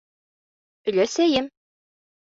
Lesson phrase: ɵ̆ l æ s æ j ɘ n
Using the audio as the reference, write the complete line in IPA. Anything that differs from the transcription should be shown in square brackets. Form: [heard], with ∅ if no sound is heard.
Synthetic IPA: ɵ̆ l æ s æ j ɘ [m]